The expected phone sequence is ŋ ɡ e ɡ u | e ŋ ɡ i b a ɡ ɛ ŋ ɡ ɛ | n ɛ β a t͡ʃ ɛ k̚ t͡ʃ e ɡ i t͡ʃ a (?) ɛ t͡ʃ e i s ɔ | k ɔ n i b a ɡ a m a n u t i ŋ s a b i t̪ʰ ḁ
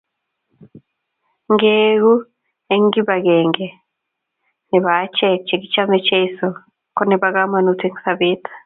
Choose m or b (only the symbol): m